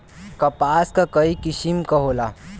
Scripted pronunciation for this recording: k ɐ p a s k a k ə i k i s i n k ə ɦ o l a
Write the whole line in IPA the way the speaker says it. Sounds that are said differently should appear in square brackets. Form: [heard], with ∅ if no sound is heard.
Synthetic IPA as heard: k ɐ p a s k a k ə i k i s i [m] k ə ɦ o l a